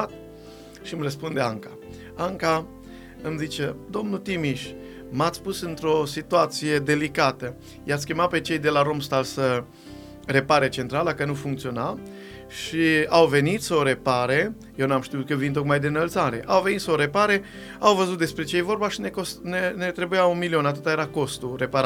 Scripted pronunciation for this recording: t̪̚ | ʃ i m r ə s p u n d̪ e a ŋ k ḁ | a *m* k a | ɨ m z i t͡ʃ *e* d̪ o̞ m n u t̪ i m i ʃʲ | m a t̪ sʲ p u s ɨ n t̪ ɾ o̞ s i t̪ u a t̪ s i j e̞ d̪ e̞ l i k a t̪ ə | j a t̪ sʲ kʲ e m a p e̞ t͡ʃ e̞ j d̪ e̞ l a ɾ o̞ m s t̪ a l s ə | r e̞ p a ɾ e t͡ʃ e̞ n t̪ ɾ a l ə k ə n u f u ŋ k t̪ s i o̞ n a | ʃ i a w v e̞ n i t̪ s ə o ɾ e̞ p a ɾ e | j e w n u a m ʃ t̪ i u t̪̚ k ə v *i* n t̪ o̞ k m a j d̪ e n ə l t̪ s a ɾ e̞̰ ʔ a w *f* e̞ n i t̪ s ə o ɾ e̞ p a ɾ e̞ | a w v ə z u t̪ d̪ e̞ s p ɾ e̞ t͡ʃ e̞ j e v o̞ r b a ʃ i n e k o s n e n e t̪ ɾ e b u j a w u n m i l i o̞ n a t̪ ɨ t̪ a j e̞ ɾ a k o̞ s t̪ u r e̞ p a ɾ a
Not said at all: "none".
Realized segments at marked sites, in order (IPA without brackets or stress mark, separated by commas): ŋ, e, i, v